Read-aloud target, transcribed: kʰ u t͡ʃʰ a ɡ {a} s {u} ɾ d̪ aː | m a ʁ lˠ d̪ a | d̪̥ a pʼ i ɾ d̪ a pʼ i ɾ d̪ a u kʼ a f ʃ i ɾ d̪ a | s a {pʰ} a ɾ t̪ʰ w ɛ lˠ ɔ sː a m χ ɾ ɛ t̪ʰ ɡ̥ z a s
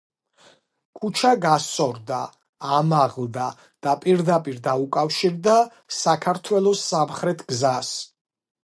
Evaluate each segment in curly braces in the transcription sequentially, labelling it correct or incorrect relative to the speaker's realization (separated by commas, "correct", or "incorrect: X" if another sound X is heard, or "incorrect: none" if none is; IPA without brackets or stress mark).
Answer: correct, incorrect: ɔ, incorrect: kʰ